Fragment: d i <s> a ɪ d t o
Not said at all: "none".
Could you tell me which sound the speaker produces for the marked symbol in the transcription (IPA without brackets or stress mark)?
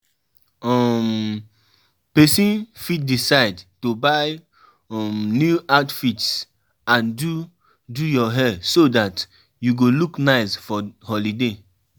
s